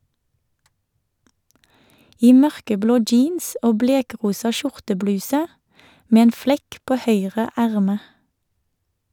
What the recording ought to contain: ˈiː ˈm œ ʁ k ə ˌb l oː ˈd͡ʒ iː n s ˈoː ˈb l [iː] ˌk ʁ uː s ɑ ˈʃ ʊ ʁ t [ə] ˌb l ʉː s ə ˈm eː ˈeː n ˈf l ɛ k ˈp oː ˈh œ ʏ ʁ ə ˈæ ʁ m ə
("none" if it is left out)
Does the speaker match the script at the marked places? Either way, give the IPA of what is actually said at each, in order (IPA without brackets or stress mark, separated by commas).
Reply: eː, ə